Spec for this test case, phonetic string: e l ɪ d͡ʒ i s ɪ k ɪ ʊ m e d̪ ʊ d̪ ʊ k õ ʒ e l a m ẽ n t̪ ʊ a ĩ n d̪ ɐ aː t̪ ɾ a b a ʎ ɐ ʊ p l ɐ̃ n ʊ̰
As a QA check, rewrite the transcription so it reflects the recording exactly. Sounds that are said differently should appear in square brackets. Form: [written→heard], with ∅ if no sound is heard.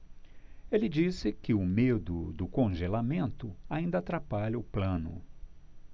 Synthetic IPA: e l ɪ d͡ʒ i s ɪ k ɪ ʊ m e d̪ ʊ d̪ ʊ k õ ʒ e l a m ẽ n t̪ ʊ a ĩ n d̪ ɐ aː t̪ ɾ a [b→p] a ʎ ɐ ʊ p l ɐ̃ n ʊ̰